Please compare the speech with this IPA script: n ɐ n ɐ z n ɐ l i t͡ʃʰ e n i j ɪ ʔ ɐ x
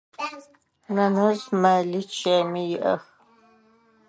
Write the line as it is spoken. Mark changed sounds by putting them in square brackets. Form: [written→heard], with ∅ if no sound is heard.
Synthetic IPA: n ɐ n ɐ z [n→m] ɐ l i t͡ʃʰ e [n→m] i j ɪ ʔ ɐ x